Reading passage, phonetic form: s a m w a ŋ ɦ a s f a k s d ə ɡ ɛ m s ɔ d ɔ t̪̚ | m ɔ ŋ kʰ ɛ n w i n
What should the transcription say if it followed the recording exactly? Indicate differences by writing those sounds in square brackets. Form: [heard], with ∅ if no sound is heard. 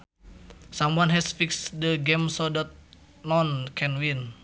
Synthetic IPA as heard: s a m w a [n] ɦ [ɛ] s f [i] k s d ə ɡ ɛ m s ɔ d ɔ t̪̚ | [n] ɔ [n] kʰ ɛ n w i n